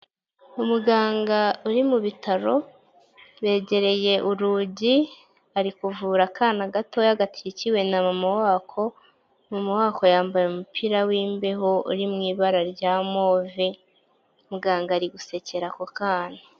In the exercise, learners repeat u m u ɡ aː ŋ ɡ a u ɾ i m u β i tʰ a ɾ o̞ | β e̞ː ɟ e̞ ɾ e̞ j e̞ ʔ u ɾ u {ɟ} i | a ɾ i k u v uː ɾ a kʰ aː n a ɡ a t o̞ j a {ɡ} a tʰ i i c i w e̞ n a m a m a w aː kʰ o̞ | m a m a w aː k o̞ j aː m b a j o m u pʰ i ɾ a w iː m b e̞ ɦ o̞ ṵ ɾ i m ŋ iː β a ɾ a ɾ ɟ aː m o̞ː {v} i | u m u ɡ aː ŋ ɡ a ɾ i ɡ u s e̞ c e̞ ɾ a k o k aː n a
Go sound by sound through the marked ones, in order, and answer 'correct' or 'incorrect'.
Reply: correct, correct, correct

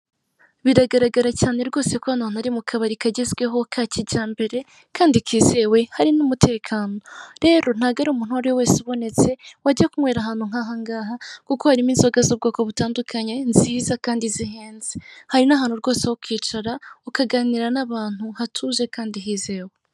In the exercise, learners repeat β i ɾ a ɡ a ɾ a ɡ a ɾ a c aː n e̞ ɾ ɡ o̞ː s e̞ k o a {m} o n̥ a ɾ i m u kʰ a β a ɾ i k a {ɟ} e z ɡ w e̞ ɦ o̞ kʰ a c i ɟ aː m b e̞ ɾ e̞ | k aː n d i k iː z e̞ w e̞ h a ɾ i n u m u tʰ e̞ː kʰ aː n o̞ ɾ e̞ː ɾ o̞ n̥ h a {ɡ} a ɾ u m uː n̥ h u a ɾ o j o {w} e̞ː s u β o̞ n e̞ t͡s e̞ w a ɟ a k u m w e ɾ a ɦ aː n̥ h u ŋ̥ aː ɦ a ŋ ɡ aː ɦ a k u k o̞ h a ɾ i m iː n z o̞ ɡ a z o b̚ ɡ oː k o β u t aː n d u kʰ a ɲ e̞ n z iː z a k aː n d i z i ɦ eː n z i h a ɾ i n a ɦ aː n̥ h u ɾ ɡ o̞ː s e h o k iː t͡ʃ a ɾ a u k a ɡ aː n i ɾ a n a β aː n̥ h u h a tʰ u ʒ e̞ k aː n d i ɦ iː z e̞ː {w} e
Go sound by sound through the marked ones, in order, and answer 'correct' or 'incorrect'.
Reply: incorrect: n, correct, correct, correct, correct

